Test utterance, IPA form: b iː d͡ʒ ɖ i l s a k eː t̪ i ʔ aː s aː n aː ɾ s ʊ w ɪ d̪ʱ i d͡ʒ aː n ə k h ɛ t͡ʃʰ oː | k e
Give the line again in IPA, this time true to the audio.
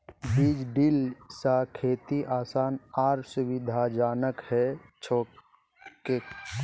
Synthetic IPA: b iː d͡ʒ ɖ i l s a kʰ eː t̪ i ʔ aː s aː n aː ɾ s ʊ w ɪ d̪ʱ a d͡ʒ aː n ə k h ɛ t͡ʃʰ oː | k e